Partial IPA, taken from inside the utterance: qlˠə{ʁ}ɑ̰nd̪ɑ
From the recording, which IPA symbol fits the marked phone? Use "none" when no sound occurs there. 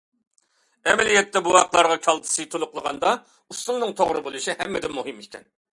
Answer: ʁ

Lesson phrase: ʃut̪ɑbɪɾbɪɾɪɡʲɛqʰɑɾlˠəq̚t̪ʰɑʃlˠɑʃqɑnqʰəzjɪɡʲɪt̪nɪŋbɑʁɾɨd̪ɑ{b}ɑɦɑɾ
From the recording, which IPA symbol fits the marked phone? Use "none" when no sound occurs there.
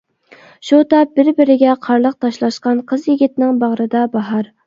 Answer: b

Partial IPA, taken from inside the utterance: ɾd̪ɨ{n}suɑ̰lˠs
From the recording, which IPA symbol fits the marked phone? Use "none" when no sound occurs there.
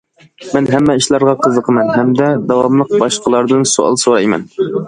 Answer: n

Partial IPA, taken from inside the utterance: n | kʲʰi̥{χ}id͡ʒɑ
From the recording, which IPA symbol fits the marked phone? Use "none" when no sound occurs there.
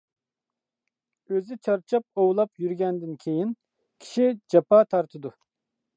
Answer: ʃ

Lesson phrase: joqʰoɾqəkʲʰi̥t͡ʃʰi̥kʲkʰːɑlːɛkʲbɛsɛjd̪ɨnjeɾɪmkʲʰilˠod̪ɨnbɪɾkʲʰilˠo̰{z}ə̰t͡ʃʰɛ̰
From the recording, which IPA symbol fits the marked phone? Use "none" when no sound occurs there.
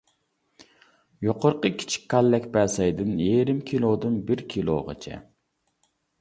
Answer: ʁ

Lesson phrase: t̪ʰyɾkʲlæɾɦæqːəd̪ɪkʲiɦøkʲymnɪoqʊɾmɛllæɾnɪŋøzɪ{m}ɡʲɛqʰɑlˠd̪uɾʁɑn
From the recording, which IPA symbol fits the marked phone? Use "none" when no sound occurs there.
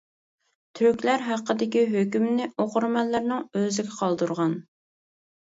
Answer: none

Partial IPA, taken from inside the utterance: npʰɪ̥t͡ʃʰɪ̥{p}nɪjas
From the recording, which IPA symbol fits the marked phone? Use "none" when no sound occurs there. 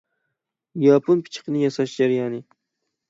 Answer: q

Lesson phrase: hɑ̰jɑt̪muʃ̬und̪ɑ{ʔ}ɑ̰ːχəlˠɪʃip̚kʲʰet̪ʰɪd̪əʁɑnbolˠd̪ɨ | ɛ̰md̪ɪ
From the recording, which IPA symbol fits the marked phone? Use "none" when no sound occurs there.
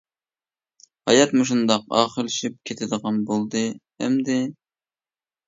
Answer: q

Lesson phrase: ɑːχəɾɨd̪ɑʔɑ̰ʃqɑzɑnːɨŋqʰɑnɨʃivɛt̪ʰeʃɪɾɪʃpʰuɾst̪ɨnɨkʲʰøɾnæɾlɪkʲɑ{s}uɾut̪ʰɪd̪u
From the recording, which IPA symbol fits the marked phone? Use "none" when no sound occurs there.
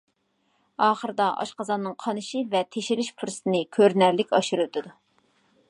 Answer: ʃ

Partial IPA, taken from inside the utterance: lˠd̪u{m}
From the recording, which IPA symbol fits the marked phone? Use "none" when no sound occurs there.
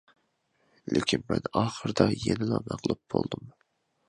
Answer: m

